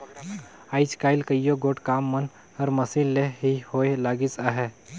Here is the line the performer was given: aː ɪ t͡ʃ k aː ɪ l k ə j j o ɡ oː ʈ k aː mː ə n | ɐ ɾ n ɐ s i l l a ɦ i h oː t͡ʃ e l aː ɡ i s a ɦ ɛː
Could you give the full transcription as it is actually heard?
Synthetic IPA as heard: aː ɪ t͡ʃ k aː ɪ l k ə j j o ɡ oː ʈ k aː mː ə n | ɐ ɾ m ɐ s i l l e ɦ i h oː e l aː ɡ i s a ɦ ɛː

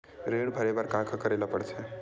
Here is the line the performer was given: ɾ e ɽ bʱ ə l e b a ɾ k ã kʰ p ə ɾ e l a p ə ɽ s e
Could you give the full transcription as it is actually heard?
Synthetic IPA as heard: ɾ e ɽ bʱ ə ɾ e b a ɾ k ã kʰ k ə ɾ e l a p ə ɽ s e

